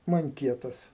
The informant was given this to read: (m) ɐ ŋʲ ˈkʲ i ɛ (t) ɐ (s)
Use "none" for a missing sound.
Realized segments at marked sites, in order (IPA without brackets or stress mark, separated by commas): m, t, s